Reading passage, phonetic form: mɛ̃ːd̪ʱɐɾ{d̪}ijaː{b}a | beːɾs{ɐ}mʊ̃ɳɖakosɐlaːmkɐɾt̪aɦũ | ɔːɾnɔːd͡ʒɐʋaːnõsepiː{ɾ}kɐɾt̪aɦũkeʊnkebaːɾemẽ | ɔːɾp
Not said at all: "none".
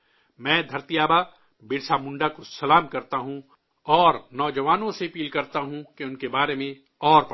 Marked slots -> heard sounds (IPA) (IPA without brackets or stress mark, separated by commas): t̪, b, a, l